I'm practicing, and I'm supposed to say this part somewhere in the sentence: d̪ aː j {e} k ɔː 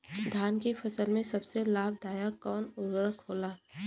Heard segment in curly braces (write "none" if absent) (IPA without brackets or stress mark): a